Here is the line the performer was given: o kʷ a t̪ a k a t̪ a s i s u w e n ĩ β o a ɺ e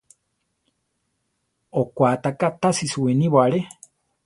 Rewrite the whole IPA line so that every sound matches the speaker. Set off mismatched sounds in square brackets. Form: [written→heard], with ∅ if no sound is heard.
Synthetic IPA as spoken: o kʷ a t̪ a k a t̪ a s i s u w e n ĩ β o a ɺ e

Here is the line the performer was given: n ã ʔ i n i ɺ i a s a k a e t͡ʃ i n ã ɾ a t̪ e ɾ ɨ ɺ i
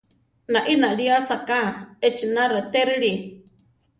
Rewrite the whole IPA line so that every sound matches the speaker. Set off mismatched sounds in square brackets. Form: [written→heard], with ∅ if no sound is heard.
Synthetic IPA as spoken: n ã ʔ i n [i→a] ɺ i a s a k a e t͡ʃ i n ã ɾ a t̪ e ɾ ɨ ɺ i

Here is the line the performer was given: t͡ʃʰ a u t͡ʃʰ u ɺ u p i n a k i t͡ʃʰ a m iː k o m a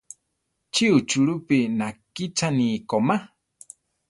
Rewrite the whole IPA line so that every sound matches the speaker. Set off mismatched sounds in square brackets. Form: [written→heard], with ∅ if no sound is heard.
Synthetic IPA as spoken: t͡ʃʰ [a→i] u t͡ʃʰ u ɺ u p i n a k i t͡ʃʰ a [m→n] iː k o m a

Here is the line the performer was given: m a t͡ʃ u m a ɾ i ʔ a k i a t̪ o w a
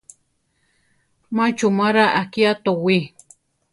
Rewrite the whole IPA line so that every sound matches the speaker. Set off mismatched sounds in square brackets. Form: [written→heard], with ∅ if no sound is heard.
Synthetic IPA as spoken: m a t͡ʃ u m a ɾ [i→a] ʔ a k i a t̪ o w [a→i]

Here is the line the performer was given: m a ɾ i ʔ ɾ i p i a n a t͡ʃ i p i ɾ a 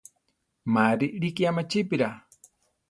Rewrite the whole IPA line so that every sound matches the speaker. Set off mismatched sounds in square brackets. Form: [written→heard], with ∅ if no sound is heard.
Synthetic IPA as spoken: m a ɾ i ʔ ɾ i [p→k] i a [n→m] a t͡ʃ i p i ɾ a

